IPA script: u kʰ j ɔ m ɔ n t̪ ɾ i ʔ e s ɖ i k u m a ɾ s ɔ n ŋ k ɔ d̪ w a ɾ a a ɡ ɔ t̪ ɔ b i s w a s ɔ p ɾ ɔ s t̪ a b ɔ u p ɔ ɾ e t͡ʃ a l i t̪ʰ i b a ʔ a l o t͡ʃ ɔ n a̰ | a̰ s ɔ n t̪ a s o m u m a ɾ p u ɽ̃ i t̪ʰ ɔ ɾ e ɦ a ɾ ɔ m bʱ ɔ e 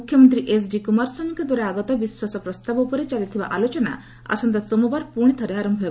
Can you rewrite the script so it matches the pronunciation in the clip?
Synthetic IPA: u kʰ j ɔ m ɔ n t̪ ɾ i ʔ e s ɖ i k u m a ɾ s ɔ n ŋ k ɔ d̪ w a ɾ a a ɡ ɔ t̪ ɔ b i s w a s ɔ p ɾ ɔ s t̪ a b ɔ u p ɔ ɾ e t͡ʃ a l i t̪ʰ i b a ʔ a l o t͡ʃ ɔ n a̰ | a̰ s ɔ n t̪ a s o m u b a ɾ p u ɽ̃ i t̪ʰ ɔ ɾ e ɦ a ɾ ɔ m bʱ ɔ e